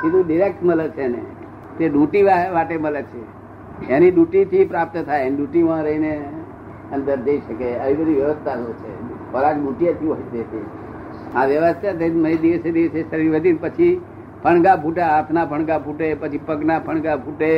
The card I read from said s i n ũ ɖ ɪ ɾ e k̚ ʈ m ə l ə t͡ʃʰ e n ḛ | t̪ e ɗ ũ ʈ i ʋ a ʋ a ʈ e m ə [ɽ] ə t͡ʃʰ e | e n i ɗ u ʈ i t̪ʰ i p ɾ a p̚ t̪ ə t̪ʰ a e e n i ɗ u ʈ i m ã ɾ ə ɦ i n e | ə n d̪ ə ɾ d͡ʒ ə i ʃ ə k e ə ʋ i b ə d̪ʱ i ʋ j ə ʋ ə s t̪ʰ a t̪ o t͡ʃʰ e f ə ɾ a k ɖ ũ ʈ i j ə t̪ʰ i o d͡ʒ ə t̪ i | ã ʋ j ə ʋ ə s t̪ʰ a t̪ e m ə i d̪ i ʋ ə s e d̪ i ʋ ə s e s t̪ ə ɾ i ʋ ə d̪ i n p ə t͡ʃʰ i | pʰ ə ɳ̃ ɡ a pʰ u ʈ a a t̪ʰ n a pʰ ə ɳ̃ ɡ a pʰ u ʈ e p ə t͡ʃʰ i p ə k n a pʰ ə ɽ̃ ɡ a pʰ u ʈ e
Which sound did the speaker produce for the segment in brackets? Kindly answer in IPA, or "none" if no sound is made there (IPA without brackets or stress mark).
l